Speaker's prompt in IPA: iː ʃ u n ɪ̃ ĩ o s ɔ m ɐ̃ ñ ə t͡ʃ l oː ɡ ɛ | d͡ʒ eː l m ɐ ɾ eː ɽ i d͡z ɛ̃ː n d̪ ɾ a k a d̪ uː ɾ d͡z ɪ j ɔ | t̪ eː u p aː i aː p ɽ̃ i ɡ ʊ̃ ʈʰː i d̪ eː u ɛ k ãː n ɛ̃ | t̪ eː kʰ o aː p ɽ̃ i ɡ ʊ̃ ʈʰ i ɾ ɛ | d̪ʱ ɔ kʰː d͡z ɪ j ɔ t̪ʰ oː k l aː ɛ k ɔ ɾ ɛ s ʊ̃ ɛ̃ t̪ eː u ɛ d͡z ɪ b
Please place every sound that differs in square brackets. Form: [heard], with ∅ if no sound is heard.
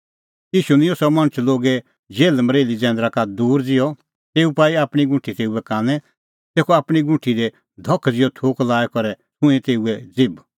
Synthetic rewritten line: iː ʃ u n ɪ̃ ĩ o s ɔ m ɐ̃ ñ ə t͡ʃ l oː ɡ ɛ | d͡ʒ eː l m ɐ ɾ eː [l] i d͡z ɛ̃ː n d̪ ɾ a k a d̪ uː ɾ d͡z ɪ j ɔ | t̪ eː u p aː i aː p ɽ̃ i ɡ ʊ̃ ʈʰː i [t̪] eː u ɛ k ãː n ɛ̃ | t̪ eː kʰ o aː p ɽ̃ i ɡ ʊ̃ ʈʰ i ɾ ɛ | d̪ʱ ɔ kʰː d͡z ɪ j ɔ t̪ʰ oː k l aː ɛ k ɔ ɾ ɛ s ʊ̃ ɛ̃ t̪ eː u ɛ d͡z ɪ b